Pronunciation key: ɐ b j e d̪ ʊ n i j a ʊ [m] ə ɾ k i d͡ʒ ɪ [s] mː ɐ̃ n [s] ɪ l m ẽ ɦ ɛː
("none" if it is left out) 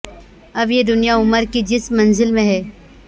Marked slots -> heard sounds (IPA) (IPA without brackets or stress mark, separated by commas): m, s, z